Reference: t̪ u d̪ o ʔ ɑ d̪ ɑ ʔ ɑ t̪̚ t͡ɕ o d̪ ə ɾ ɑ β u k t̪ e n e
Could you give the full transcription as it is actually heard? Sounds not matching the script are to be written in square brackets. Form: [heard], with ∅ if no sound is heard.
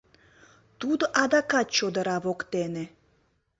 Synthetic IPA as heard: t̪ u d̪ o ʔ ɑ d̪ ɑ [k] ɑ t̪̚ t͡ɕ o d̪ ə ɾ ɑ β [o] k t̪ e n e